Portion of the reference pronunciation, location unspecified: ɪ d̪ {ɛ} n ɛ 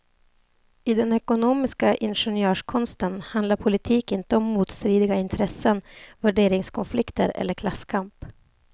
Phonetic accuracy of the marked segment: correct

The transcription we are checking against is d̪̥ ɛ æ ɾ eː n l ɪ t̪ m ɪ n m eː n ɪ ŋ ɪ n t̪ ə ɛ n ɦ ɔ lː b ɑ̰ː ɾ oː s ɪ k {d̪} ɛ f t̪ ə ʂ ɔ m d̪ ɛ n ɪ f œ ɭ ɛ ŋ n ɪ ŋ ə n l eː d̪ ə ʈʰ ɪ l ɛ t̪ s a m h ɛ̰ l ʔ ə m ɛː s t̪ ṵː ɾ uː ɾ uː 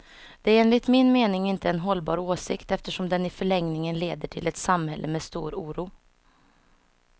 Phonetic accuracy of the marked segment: incorrect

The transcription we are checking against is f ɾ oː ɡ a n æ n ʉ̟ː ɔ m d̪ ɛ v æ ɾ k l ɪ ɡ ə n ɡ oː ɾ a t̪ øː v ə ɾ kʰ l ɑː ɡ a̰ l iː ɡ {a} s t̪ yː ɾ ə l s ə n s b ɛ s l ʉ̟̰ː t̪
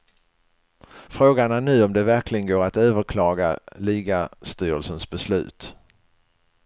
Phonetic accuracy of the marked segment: correct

